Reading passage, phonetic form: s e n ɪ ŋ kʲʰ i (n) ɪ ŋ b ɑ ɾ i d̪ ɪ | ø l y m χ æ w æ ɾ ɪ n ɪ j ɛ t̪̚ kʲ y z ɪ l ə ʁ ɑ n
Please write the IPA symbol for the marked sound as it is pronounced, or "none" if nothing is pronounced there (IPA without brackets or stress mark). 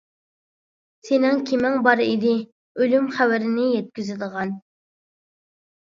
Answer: m